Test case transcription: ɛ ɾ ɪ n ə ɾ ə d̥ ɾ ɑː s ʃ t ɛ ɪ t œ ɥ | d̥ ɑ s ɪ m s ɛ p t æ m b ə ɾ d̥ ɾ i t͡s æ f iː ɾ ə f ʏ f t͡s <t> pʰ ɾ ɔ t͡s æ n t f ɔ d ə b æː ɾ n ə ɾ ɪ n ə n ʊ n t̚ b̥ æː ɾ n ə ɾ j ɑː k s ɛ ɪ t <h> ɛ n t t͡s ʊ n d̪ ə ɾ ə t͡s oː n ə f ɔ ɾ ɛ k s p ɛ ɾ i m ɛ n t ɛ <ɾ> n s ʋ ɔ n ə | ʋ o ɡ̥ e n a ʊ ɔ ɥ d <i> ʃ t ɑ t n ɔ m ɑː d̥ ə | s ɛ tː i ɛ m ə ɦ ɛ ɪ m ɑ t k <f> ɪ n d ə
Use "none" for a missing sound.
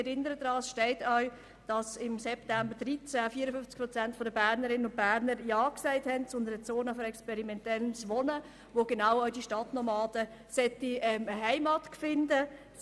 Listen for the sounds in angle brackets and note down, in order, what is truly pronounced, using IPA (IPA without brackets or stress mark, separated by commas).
k, h, l, i, f